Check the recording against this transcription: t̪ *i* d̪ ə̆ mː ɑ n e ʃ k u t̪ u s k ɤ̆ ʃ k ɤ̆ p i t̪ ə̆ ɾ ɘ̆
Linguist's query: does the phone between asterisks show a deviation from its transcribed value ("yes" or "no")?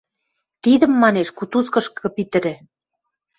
no